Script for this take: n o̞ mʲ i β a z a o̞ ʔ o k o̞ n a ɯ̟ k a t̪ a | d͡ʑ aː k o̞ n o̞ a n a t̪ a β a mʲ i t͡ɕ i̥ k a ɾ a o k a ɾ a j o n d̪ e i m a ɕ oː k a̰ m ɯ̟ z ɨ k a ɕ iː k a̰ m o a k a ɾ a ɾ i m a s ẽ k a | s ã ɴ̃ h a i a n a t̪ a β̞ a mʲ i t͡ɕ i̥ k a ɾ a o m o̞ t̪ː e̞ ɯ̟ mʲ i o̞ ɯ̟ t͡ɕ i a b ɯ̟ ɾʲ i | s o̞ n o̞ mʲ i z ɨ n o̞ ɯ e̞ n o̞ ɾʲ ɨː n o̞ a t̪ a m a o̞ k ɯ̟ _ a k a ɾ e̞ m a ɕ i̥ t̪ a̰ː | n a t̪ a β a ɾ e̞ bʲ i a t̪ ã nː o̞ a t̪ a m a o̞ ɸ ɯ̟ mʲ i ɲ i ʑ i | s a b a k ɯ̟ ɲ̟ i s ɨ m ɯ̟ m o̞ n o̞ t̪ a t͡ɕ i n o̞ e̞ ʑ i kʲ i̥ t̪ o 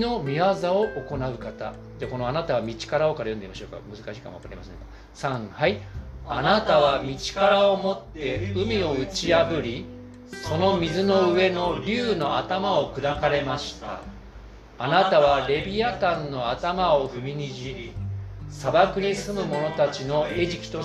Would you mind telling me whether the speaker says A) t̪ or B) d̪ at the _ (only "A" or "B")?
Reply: B